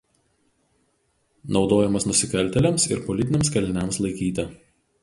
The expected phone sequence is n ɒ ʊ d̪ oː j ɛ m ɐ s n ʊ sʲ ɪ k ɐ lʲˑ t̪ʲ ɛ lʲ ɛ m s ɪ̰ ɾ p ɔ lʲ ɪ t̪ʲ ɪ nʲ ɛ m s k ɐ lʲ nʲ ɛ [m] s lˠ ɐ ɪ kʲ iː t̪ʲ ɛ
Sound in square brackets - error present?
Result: no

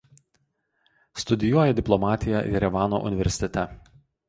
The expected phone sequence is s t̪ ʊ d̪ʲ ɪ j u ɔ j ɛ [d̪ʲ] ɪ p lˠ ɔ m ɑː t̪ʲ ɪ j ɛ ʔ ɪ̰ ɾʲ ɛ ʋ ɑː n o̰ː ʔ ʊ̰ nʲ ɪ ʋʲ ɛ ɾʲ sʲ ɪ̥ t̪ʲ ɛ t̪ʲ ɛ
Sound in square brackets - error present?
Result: no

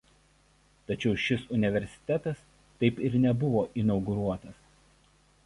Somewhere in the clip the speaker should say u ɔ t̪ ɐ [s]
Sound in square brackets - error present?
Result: no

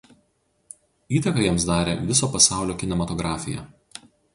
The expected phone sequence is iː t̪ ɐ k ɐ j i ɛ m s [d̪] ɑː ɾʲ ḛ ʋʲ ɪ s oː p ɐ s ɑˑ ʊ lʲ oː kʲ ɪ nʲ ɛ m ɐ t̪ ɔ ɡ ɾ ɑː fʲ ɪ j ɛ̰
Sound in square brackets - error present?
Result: no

